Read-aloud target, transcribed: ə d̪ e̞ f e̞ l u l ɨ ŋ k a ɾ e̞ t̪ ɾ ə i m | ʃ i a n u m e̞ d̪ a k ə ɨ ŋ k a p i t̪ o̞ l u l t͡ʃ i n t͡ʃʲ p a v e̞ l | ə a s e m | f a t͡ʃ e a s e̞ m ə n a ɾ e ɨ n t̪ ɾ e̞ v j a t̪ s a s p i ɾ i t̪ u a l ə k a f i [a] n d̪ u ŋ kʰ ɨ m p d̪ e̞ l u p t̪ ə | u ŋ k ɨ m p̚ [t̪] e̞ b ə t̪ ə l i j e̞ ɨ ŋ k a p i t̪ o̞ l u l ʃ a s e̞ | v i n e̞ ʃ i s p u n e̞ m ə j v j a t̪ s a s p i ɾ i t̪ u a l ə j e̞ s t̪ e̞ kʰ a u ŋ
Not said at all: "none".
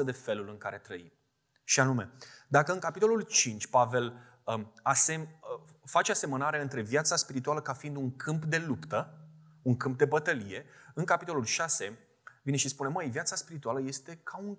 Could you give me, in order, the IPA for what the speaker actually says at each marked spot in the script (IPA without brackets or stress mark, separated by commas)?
i, d̪